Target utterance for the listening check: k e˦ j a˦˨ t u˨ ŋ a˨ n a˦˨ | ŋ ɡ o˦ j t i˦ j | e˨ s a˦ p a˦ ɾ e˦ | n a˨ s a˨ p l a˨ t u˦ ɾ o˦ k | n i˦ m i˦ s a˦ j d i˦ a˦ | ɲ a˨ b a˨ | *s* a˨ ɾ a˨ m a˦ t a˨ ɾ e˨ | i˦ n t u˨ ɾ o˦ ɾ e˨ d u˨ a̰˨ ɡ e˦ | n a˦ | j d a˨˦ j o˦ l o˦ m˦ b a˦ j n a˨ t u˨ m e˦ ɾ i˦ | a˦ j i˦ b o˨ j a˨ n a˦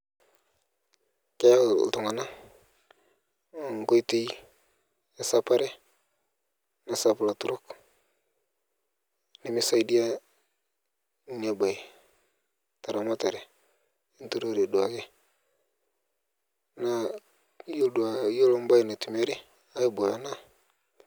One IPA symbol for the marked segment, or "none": t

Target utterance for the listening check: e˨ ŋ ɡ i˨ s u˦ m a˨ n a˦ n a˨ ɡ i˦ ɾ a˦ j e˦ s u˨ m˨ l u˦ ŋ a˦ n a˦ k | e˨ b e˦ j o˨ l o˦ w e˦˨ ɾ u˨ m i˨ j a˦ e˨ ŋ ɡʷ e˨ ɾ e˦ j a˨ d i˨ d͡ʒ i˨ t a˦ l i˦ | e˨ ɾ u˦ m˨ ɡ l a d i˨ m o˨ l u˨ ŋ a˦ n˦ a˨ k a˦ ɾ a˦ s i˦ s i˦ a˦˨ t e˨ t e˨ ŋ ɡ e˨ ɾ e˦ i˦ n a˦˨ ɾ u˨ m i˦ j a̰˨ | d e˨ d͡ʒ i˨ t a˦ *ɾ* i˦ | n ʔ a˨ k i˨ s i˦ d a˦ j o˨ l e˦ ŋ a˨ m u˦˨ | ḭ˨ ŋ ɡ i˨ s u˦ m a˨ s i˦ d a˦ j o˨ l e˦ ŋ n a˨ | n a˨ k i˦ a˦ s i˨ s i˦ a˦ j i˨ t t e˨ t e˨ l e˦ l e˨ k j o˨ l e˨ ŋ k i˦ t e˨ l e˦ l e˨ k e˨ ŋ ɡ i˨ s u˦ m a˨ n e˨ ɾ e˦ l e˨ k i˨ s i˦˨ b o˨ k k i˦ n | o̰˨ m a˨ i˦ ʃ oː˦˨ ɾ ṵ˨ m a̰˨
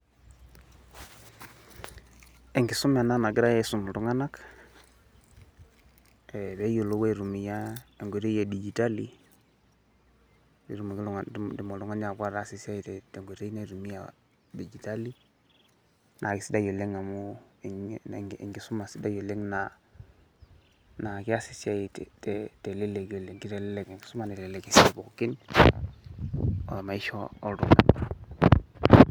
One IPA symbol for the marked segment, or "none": l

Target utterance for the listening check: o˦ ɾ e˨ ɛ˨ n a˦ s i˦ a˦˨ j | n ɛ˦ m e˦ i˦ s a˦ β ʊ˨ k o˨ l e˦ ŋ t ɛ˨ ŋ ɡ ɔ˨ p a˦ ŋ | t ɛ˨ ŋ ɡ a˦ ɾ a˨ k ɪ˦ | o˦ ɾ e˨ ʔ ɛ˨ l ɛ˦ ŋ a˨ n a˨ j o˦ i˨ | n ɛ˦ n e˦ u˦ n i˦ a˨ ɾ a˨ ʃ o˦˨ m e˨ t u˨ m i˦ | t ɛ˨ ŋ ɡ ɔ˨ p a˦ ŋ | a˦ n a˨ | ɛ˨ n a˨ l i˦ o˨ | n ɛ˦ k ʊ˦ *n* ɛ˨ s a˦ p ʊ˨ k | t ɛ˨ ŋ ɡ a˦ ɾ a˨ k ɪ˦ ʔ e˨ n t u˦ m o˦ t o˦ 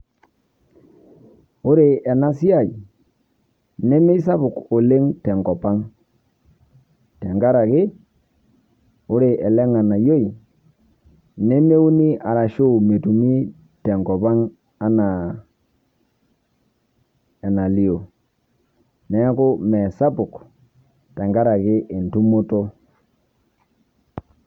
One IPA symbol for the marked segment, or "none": m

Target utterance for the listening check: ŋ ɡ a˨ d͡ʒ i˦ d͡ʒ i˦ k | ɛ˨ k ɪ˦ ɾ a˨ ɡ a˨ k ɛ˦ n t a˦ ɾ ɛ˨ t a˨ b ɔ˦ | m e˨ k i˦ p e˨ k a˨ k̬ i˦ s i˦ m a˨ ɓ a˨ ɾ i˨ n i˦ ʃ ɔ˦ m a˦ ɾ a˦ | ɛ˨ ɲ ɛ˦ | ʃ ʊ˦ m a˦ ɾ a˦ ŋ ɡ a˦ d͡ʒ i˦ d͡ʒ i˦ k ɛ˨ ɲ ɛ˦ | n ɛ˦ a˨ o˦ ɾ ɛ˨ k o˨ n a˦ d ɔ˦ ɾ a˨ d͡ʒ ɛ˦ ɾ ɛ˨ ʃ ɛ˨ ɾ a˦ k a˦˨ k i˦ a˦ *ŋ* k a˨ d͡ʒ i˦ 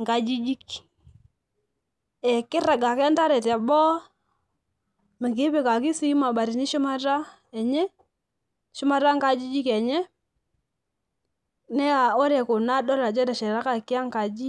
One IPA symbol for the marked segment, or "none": ŋ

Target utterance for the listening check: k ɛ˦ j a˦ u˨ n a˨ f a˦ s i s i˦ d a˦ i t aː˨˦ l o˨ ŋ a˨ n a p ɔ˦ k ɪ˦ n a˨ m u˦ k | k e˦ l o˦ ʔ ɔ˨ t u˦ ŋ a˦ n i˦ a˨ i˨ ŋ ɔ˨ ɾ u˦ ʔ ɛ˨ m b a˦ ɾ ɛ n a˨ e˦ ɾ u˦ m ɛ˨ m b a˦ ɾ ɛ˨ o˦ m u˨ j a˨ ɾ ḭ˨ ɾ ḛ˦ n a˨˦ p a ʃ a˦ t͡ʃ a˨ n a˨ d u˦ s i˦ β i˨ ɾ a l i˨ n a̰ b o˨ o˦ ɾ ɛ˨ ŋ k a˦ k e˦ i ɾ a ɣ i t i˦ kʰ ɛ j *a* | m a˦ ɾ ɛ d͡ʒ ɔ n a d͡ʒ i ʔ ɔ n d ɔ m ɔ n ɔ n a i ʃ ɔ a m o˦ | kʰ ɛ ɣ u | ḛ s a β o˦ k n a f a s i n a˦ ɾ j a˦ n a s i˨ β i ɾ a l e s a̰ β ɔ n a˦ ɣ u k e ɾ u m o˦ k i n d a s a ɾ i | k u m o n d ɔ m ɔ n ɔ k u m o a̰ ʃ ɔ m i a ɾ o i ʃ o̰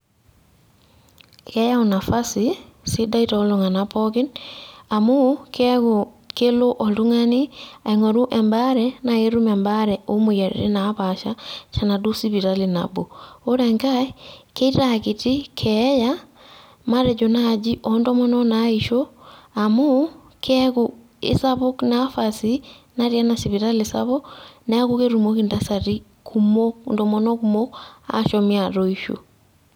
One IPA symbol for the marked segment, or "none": a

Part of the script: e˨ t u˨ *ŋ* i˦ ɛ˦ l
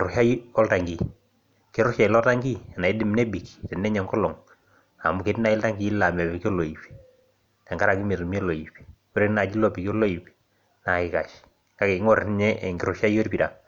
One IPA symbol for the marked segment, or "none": m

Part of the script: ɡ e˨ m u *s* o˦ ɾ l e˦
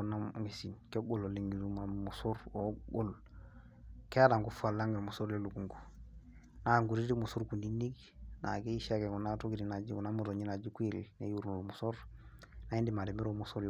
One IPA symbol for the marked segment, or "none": s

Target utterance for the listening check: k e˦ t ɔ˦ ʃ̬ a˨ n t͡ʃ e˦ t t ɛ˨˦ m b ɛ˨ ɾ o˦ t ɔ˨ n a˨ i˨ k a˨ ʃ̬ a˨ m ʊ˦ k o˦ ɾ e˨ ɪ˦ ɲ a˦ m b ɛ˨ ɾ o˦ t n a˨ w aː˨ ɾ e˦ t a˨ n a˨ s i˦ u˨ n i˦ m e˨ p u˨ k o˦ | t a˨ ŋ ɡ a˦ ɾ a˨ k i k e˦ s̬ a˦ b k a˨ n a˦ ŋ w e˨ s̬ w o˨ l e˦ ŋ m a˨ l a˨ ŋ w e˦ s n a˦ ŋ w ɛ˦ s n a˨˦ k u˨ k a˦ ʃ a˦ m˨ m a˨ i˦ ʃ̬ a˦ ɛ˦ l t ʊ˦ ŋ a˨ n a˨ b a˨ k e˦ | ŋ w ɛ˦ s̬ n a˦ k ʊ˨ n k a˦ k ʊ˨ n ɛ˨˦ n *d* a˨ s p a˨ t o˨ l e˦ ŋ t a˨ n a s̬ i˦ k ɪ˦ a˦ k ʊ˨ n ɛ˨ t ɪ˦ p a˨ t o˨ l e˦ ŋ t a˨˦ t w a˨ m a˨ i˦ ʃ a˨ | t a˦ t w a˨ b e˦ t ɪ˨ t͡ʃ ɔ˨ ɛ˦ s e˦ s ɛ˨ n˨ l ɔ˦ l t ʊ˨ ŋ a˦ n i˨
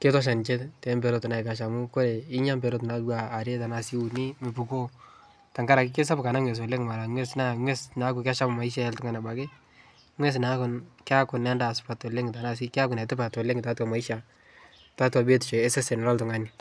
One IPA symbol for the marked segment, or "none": d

